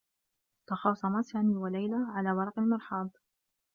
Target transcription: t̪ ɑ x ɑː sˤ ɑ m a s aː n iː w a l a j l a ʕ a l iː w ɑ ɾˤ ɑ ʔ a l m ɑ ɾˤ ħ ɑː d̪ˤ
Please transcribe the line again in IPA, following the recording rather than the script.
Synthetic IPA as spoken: t̪ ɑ x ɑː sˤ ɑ m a s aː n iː w a l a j l a ʕ a l aː w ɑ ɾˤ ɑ q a l m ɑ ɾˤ ħ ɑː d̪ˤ